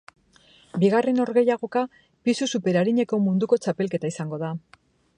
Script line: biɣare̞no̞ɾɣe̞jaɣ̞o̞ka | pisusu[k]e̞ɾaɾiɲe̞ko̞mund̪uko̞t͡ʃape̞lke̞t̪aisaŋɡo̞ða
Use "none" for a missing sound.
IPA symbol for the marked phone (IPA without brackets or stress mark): p